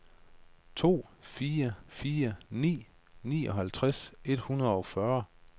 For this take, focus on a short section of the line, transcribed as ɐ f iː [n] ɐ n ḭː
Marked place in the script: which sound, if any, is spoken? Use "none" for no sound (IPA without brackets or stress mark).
none